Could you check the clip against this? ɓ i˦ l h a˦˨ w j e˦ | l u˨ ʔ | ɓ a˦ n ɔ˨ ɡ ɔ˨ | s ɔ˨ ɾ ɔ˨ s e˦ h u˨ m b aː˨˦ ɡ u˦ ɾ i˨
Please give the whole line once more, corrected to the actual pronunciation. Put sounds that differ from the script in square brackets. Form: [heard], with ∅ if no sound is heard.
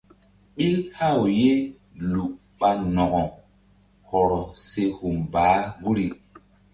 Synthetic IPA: ɓ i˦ l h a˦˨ w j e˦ | l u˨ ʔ | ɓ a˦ n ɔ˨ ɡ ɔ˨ | [h] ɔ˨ ɾ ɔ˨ s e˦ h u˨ m b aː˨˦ ɡ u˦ ɾ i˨